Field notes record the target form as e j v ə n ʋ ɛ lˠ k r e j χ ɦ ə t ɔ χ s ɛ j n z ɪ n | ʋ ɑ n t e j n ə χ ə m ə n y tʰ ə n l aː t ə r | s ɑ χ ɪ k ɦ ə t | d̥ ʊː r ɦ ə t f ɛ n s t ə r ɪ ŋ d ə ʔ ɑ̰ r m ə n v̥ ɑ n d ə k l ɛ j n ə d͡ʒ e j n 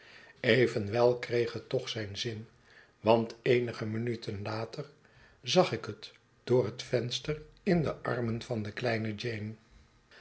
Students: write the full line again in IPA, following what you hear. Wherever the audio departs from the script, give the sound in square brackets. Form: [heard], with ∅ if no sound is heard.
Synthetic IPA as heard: e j v ə n ʋ ɛ lˠ k r e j χ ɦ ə t ɔ χ s ɛ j n z ɪ n | ʋ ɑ n t e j n ə χ ə m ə n y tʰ ə n l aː t ə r | [z] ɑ χ ɪ k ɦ ə t | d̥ ʊː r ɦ ə t f ɛ n s t ə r ɪ [n] d ə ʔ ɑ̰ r m ə n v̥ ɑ n d ə k l ɛ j n ə d͡ʒ e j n